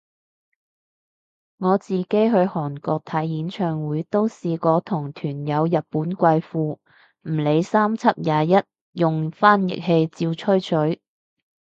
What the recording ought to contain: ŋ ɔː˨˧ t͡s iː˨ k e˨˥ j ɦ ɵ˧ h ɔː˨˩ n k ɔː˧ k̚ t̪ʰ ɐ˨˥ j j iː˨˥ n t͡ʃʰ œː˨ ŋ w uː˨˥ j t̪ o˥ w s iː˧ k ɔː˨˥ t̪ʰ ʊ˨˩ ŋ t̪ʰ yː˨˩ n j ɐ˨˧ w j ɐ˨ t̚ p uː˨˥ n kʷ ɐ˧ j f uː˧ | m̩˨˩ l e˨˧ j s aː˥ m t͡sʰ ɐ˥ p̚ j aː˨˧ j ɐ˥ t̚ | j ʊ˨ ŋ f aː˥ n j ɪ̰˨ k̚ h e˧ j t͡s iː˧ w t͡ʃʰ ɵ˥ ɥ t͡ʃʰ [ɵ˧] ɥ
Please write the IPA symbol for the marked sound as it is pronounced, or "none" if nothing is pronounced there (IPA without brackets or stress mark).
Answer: ɵ˨˥